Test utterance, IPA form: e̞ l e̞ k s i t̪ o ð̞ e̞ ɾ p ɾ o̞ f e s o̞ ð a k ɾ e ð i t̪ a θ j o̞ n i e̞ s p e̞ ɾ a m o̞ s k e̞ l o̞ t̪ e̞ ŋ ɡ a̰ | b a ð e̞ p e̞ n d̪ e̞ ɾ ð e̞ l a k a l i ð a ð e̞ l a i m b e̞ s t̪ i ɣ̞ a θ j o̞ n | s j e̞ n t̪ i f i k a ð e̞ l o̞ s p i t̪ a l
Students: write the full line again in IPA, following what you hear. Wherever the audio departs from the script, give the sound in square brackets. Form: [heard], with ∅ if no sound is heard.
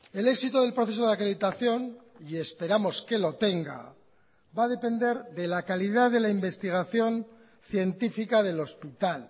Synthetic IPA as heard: e̞ l e̞ k s i t̪ o ð̞ e̞ [l] p ɾ o̞ [θ] e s o̞ ð a k ɾ e ð i t̪ a θ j o̞ n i e̞ s p e̞ ɾ a m o̞ s k e̞ l o̞ t̪ e̞ ŋ ɡ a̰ | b a ð e̞ p e̞ n d̪ e̞ ɾ ð e̞ l a k a l i ð a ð e̞ l a i m b e̞ s t̪ i ɣ̞ a θ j o̞ n | [θ] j e̞ n t̪ i f i k a ð e̞ l o̞ s p i t̪ a l